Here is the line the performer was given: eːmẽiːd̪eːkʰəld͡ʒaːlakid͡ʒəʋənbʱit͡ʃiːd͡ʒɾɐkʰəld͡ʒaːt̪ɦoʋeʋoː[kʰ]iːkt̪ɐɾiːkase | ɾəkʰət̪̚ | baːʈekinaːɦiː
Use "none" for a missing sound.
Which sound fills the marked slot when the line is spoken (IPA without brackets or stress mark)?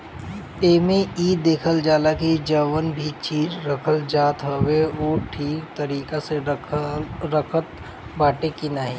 ʈʰ